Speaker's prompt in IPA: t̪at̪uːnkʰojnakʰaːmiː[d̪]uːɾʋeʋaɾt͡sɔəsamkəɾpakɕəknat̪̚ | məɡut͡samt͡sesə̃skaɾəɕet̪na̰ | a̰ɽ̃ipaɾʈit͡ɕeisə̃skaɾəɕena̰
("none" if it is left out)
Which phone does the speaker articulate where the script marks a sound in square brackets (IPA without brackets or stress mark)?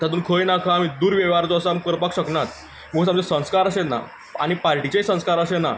d̪